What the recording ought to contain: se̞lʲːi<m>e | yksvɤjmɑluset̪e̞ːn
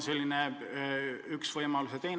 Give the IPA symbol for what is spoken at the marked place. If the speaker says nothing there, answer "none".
n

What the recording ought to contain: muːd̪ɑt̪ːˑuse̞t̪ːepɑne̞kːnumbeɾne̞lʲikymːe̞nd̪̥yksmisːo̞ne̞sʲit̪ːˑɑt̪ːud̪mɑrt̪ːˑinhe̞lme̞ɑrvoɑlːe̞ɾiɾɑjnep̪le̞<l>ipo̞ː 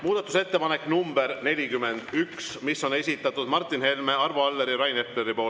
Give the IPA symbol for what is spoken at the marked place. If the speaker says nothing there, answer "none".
ɾ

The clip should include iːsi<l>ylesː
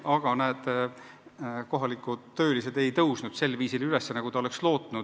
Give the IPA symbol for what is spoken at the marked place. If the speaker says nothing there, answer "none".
l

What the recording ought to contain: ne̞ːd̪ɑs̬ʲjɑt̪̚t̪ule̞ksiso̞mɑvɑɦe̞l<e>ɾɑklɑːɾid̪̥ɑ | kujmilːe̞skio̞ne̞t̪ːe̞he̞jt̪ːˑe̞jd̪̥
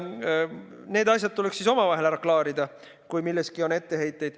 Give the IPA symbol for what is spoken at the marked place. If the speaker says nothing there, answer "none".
æ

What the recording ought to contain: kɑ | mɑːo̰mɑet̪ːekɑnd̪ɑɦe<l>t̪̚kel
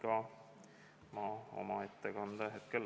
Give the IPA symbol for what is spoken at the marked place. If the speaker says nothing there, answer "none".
none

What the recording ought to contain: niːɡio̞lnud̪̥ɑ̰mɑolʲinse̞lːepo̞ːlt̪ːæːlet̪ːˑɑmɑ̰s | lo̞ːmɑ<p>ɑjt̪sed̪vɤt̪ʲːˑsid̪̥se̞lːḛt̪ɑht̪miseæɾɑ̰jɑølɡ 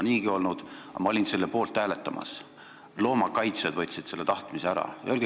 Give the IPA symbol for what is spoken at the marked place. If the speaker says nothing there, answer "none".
k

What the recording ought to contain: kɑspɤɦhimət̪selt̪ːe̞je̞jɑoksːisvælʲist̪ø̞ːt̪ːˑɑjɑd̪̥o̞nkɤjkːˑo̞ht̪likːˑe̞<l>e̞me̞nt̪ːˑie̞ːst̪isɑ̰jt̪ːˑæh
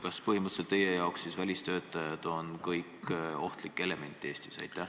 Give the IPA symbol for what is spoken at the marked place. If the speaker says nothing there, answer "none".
l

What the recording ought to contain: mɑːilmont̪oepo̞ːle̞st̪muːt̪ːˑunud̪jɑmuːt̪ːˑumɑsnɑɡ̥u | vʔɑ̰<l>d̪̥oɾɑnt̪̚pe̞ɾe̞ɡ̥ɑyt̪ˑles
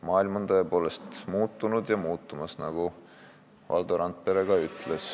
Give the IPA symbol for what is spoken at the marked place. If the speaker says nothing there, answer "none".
l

